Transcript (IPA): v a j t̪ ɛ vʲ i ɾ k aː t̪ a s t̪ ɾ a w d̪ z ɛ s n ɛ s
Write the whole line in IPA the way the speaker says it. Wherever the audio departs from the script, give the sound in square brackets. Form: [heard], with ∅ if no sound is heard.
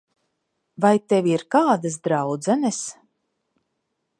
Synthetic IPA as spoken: v a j t̪ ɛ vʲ i ɾ k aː [d̪] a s [d̪] ɾ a w d̪ z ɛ [∅] n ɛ s

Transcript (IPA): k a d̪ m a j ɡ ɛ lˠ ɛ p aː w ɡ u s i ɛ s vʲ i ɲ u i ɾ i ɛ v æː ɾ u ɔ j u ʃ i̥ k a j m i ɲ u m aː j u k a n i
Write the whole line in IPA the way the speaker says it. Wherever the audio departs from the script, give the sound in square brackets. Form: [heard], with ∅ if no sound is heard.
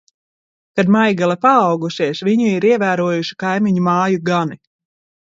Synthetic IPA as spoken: k a d̪ m a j ɡ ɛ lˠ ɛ p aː w ɡ u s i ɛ s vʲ i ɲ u i ɾ i ɛ v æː ɾ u ɔ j u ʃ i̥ k a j m i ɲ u m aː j u [ɡ] a n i

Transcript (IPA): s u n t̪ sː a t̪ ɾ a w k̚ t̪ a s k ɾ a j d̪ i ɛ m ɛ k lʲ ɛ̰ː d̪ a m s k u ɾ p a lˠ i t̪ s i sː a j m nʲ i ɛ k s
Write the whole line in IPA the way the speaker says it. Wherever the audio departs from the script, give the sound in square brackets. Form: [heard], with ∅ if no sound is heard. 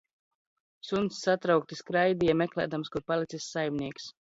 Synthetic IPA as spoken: s u n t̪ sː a t̪ ɾ a w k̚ t̪ [i] s k ɾ a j d̪ i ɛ m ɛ k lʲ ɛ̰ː d̪ a m s k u ɾ p a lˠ i t̪ s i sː a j m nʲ i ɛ k s

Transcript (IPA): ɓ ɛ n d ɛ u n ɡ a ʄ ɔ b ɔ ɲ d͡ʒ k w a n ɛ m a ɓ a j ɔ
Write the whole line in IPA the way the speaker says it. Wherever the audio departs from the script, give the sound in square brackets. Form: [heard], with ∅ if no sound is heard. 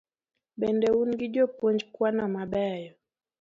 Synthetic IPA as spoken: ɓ ɛ n d ɛ u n ɡ [i] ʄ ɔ [p] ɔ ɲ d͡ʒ k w a n [a] m a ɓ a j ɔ

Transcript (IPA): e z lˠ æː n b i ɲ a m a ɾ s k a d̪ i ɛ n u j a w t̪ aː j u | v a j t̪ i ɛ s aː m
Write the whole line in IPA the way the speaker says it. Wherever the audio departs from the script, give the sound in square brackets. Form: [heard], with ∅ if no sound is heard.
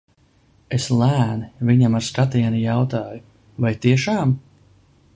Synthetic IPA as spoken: e [s] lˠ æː n [v] i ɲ a m a ɾ s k a [t̪] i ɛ n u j a w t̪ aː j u | v a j t̪ i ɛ [ʃ] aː m

